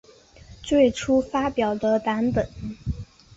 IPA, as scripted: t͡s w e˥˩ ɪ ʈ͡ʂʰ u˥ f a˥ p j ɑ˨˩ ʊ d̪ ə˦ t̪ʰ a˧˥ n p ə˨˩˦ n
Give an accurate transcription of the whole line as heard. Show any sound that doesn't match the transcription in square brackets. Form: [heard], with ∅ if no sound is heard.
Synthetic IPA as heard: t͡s w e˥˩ ɪ ʈ͡ʂʰ u˥ f a˥ p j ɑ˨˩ ʊ d̪ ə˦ [t̪] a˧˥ n p ə˨˩˦ n